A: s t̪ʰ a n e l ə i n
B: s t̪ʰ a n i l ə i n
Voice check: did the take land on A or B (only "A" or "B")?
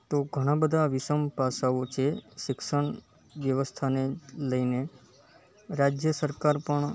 A